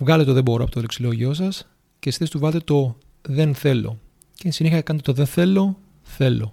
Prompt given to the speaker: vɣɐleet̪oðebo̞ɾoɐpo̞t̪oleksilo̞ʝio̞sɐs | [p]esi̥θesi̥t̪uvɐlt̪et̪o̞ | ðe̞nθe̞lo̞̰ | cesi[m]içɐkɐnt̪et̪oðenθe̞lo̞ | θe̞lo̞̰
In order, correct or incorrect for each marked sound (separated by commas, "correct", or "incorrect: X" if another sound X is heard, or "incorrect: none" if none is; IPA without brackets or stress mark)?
incorrect: c, incorrect: n